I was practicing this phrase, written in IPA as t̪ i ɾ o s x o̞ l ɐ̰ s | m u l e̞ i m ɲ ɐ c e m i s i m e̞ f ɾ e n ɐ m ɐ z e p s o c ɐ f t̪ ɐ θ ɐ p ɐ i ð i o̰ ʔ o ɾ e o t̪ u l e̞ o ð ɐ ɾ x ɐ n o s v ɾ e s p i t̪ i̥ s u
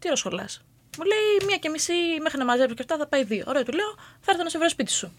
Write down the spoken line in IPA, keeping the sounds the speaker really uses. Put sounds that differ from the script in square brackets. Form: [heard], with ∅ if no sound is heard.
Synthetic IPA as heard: t̪ i ɾ o s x o̞ l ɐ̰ s | m u l e̞ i m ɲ ɐ c e m i s i m e̞ [x] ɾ [i] n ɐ m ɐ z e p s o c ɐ f t̪ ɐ θ ɐ p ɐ i ð i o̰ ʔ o ɾ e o t̪ u l e̞ o [θ] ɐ ɾ [θ] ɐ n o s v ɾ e s p i t̪ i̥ s u